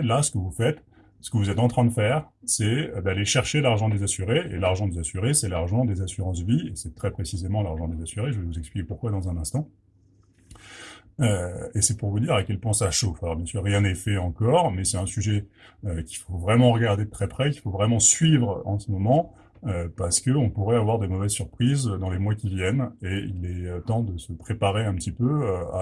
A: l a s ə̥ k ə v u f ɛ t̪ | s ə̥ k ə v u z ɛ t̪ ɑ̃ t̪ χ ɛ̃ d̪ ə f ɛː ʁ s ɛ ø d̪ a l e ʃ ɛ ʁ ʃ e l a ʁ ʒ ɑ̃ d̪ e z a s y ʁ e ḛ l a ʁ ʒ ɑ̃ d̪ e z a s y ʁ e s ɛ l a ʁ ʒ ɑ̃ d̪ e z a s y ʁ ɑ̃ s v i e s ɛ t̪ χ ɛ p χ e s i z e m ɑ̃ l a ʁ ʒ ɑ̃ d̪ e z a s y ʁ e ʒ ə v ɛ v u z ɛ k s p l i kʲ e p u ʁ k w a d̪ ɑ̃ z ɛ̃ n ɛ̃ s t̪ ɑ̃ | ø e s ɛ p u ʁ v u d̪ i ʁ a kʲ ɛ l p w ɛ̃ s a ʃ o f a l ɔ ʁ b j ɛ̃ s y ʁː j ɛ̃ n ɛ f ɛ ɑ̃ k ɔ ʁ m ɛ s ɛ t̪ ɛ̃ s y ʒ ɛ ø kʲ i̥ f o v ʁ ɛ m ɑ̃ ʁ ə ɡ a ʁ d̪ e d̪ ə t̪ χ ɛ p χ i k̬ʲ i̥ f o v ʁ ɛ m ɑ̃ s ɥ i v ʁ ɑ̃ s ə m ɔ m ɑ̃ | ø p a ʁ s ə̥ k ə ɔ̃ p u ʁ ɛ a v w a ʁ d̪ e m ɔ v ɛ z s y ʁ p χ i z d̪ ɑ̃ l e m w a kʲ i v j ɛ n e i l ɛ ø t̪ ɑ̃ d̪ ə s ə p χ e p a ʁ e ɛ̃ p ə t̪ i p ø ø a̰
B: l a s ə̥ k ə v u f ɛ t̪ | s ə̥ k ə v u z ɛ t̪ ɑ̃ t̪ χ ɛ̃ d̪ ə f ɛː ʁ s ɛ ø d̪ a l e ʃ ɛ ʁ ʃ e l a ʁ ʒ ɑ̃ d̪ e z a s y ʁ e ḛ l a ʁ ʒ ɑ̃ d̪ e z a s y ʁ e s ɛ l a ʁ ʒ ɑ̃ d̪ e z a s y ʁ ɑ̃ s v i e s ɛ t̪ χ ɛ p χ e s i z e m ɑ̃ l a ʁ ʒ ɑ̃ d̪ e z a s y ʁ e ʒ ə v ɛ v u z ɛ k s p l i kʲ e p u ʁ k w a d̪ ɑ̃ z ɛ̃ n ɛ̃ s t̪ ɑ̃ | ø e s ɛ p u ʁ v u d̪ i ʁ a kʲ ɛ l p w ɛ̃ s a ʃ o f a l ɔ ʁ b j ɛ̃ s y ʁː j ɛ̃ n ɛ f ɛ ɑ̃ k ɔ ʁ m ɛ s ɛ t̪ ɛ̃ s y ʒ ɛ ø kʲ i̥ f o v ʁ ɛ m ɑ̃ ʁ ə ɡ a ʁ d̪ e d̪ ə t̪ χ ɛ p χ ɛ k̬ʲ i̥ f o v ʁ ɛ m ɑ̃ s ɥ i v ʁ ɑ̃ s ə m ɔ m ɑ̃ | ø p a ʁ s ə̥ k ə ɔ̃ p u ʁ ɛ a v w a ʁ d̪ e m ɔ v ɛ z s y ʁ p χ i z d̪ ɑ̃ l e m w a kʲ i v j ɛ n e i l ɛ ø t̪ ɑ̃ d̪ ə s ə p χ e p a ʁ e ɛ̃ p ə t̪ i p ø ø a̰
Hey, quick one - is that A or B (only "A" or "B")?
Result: B